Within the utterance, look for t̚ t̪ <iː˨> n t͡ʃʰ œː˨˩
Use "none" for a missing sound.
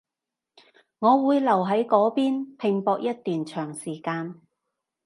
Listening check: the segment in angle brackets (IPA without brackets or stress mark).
yː˨